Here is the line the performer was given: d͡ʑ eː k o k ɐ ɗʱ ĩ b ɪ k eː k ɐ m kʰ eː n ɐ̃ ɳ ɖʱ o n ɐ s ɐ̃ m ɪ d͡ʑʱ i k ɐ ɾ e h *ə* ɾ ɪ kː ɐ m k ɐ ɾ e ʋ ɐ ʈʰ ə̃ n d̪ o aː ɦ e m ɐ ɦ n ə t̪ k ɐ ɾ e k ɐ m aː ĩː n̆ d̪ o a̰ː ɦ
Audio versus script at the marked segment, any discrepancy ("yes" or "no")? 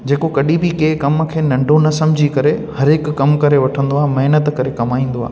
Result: yes